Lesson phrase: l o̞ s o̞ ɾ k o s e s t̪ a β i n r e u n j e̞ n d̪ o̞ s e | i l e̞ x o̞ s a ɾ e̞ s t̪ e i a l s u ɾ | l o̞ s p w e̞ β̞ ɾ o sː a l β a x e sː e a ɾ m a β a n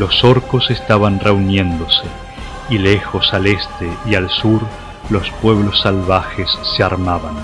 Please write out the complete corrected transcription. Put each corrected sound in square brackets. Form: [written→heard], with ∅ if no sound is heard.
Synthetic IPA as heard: l o̞ s o̞ ɾ k o s e s t̪ a β [i→a] n r e u n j e̞ n d̪ o̞ s e | i l e̞ x o̞ s a [ɾ→l] e̞ s t̪ e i a l s u ɾ | l o̞ s p w e̞ β̞ [ɾ→l] o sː a l β a x e sː e a ɾ m a β a n